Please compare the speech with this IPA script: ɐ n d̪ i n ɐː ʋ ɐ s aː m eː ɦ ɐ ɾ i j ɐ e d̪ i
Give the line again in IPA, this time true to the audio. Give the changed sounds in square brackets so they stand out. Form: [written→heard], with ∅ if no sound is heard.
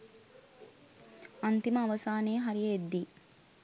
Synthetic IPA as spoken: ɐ n [d̪→t̪] i [n→m] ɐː ʋ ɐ s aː [m→n] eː ɦ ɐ ɾ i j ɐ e [d̪→d̪ː] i